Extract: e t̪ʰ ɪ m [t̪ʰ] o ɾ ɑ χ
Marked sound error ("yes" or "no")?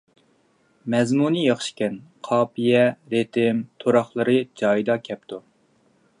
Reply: no